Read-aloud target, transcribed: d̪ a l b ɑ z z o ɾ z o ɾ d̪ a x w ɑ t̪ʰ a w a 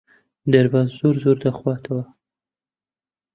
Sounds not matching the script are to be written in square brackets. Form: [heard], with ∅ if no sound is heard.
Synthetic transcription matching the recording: d̪ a [ɾ] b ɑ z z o ɾ z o ɾ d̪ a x w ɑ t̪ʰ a w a